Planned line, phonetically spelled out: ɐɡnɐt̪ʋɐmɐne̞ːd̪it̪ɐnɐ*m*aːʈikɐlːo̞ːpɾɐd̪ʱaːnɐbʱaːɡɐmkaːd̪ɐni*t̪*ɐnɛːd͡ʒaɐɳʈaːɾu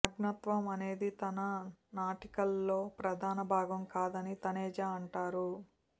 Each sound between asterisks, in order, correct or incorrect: incorrect, correct

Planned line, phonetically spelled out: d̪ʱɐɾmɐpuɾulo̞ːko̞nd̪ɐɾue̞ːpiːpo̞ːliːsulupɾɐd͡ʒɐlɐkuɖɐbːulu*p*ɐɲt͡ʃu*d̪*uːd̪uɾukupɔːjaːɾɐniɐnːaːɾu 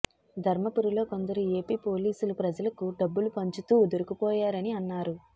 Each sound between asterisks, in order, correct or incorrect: correct, incorrect

